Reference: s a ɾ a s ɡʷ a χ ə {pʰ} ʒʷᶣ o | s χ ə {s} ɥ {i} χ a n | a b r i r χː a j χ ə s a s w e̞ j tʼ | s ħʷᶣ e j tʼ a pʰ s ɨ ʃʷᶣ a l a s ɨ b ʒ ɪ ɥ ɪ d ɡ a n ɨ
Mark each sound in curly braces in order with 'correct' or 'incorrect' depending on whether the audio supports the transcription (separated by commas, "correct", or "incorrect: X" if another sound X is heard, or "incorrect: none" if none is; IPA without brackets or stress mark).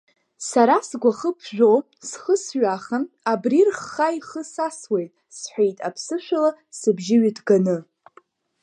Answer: correct, correct, incorrect: a